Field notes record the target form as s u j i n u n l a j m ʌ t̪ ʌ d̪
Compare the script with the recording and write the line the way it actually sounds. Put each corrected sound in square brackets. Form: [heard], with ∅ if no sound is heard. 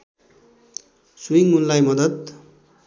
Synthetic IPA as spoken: s u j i [ŋ] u n l a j m ʌ [d̪] ʌ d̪

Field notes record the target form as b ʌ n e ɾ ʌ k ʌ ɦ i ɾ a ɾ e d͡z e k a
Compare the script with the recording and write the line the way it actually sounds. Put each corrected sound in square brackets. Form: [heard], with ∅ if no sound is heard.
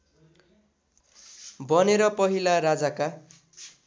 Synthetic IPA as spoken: b ʌ n e ɾ ʌ [p] ʌ ɦ i [l] a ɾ [a] d͡z [a] k a

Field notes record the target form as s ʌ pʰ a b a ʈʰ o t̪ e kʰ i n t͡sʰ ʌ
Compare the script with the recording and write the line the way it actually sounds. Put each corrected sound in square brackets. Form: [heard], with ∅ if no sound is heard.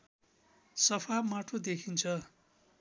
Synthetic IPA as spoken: s ʌ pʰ a [m] a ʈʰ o [d̪] e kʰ i n t͡sʰ ʌ

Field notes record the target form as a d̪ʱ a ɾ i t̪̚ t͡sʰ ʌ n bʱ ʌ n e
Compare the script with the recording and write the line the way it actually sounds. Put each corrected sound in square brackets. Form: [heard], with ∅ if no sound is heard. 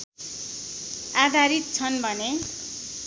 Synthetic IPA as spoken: a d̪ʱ a ɾ i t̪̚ t͡sʰ ʌ n bʱ ʌ n e

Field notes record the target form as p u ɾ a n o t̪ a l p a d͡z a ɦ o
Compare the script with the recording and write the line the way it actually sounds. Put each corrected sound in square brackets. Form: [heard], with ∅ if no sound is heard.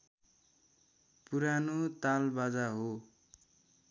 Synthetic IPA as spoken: p u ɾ a n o t̪ a l [b] a d͡z a ɦ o

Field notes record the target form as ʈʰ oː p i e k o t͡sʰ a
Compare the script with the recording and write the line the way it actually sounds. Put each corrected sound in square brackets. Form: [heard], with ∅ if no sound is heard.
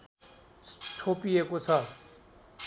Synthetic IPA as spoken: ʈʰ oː p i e k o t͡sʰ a

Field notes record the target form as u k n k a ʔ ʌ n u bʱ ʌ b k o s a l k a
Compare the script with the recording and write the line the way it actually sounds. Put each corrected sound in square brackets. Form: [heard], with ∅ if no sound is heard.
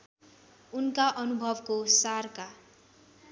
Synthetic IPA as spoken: u [∅] n k a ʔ ʌ n u bʱ ʌ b k o s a [r] k a

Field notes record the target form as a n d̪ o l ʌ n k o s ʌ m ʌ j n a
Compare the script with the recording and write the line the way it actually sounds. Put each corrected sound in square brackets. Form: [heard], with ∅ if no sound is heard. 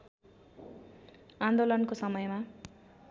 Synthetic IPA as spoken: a n d̪ o l ʌ n k o s ʌ m ʌ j [m] a

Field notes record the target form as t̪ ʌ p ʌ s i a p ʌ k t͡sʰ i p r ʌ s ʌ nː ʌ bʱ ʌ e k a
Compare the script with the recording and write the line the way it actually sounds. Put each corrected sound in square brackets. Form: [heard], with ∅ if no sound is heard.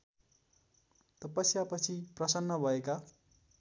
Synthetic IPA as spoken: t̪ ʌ p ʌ s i a p ʌ [∅] t͡sʰ i p r ʌ s ʌ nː ʌ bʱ ʌ e k a

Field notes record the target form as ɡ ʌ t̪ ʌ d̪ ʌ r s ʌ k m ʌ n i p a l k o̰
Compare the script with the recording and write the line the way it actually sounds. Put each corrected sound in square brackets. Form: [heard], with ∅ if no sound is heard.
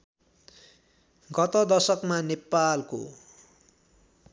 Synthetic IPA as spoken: ɡ ʌ t̪ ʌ d̪ ʌ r s ʌ k m [a] n [e] p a l k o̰

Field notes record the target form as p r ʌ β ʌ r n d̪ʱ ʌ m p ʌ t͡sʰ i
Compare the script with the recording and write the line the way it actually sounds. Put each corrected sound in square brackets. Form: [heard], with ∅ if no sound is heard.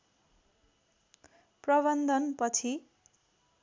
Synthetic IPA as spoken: p r ʌ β ʌ [∅] n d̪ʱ ʌ [n] p ʌ t͡sʰ i

